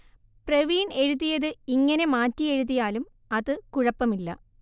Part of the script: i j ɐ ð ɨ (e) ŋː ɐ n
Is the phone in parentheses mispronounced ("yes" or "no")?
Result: yes